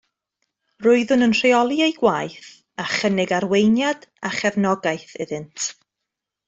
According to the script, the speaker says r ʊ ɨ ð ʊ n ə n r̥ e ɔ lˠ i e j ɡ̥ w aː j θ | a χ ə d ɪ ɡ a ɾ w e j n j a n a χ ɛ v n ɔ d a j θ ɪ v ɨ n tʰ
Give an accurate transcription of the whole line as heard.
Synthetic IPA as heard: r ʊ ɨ ð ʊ n ə n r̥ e ɔ lˠ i e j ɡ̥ w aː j θ | a χ ə n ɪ ɡ a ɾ w e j n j a d a χ ɛ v n ɔ ɡ a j θ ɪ ð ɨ n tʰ